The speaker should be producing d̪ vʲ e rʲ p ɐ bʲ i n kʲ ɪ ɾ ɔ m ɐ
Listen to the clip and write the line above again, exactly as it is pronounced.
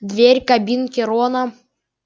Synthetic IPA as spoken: d̪ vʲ e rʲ k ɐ bʲ i n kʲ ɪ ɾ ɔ n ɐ